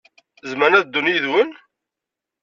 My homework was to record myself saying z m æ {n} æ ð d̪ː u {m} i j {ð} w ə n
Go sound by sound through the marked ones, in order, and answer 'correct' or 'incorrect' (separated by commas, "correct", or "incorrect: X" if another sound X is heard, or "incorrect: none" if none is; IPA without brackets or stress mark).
correct, incorrect: n, correct